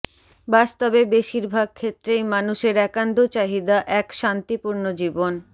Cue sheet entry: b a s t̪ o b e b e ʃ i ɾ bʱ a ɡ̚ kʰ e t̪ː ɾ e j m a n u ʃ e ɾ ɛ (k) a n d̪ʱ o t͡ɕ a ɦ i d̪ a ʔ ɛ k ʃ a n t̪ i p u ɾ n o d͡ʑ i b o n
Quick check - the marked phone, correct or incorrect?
correct